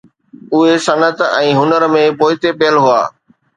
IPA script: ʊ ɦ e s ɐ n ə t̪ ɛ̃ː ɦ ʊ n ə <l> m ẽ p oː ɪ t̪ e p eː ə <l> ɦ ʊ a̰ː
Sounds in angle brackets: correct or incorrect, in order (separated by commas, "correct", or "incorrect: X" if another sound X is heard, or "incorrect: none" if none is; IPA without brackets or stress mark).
incorrect: ɾ, correct